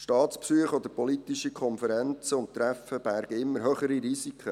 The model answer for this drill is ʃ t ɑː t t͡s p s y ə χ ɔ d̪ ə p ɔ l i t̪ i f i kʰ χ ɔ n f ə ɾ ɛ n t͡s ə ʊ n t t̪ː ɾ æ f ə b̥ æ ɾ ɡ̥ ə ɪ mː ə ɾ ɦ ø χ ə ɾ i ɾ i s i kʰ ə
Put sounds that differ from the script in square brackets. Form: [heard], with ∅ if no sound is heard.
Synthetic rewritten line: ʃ t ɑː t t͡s p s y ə χ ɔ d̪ ə p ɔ l i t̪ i [ʃ] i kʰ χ ɔ n f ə ɾ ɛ n t͡s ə ʊ n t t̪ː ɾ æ f ə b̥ æ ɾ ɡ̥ ə ɪ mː ə ɾ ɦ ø χ ə ɾ i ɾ i s i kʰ ə